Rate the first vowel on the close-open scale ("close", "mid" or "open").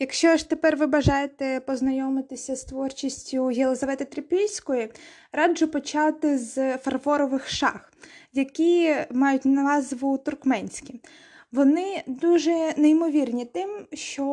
open